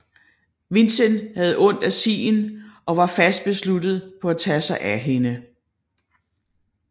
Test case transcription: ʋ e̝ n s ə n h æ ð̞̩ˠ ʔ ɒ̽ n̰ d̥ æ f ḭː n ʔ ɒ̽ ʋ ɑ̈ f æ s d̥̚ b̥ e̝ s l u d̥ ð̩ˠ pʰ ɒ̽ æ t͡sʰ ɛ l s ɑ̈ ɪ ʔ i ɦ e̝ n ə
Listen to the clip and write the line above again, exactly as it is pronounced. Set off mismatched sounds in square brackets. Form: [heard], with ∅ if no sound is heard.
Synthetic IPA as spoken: ʋ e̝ n s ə n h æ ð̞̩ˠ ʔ [ɔ̽] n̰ d̥ æ [s] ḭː n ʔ ɒ̽ ʋ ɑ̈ f æ s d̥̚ b̥ e̝ s l u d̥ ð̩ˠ pʰ ɒ̽ æ t͡sʰ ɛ [∅] s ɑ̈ ɪ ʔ [æ] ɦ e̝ n ə